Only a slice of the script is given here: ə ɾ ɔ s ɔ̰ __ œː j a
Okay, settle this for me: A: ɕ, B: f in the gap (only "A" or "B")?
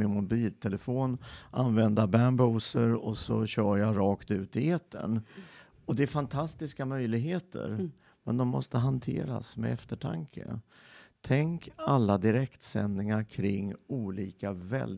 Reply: A